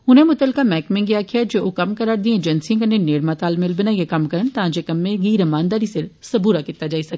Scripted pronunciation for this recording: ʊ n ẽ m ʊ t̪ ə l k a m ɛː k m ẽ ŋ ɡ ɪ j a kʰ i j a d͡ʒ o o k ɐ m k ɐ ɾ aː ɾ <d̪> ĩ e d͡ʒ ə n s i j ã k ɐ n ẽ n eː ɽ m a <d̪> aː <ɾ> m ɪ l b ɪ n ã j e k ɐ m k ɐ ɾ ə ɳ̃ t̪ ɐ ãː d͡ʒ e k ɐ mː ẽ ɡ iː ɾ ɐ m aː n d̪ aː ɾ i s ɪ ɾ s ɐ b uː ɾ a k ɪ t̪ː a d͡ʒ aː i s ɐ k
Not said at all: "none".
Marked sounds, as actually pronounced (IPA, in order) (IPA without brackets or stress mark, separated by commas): d̪, t̪, l